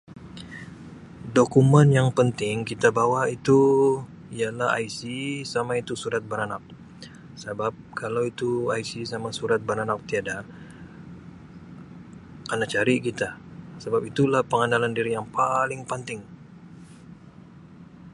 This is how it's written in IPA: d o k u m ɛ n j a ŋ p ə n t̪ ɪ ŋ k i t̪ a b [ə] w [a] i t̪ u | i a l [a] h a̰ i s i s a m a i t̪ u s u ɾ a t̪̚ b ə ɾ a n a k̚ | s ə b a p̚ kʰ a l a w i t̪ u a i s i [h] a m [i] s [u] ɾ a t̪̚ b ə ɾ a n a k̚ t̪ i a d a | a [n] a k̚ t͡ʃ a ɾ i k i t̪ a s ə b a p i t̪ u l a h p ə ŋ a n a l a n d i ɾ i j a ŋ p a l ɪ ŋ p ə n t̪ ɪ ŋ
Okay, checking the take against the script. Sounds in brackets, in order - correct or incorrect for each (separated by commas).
incorrect, correct, correct, incorrect, incorrect, correct, correct